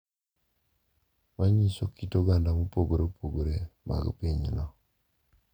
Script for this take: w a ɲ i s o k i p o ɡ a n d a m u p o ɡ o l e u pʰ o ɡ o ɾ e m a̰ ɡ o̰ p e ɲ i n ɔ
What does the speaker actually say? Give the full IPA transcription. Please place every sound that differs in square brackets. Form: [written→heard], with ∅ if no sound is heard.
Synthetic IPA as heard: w a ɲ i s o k i [p→t] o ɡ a n d a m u p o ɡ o [l→ɾ] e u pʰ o ɡ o ɾ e m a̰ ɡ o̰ p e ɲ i n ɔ